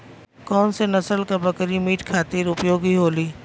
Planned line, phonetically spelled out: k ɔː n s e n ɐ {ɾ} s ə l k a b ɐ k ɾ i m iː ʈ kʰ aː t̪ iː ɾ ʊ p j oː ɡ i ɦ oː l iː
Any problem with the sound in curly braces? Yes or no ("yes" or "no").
yes